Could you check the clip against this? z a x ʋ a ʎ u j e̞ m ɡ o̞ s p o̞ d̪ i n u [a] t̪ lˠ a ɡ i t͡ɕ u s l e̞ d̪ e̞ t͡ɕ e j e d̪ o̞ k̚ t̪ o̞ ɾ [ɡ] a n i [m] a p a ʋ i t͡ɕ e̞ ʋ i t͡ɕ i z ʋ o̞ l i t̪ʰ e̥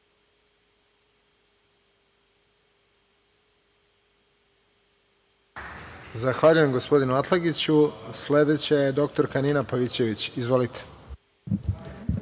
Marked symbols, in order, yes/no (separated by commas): yes, no, no